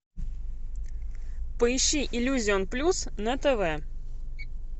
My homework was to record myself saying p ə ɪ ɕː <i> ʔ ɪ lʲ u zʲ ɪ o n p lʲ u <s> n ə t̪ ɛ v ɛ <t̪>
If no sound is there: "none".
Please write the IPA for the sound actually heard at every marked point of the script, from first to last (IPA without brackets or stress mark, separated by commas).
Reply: i, s, none